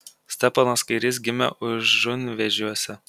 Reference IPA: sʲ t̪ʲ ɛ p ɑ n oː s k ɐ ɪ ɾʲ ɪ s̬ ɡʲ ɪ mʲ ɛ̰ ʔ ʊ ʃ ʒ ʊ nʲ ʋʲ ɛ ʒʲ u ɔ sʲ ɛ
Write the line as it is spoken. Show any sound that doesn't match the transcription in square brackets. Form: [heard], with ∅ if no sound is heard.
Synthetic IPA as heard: sʲ t̪ʲ ɛ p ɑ n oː s k ɐ ɪ ɾʲ ɪ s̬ ɡʲ ɪ mʲ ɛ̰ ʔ ʊ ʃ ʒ ʊ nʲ ʋʲ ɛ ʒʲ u ɔ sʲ ɛ